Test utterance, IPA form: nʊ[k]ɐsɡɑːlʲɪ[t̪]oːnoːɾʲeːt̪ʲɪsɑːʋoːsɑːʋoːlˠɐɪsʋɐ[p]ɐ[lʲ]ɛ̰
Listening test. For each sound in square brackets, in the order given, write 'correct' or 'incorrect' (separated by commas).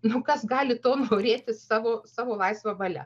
correct, correct, incorrect, correct